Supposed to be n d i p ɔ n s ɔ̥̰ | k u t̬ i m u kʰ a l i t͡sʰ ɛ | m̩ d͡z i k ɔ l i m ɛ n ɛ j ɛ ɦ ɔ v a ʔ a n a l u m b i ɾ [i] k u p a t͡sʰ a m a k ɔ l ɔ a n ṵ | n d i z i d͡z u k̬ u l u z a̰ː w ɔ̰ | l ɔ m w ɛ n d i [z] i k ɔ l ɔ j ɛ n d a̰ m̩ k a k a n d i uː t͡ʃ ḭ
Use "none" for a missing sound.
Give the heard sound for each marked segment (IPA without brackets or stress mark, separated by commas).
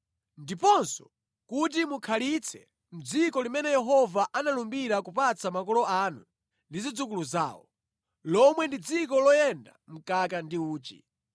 a, d͡z